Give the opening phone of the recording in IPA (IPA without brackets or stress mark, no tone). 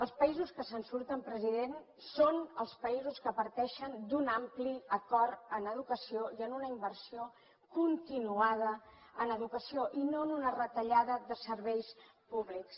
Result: ə